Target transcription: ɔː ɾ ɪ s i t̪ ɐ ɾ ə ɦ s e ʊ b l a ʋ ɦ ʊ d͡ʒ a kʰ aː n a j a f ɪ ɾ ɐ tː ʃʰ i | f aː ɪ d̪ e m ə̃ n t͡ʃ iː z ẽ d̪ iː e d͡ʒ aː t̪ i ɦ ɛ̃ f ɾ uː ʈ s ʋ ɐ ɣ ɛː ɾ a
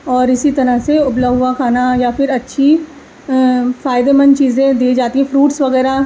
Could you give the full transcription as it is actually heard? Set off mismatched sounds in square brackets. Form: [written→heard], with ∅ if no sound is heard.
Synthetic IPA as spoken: ɔː ɾ ɪ s i t̪ ɐ ɾ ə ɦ s e ʊ b l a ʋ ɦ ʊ [d͡ʒ→∅] a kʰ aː n a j a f ɪ ɾ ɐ tː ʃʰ i | f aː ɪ d̪ e m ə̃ n t͡ʃ iː z ẽ d̪ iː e d͡ʒ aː t̪ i ɦ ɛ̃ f ɾ uː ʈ s ʋ ɐ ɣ ɛː ɾ a